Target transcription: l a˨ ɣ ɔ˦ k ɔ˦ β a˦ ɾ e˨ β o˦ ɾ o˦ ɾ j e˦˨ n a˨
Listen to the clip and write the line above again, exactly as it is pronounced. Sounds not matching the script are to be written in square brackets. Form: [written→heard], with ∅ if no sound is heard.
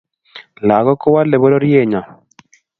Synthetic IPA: l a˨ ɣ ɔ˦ k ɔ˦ [β→w] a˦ [ɾ→l] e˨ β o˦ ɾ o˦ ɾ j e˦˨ [n→ɲ] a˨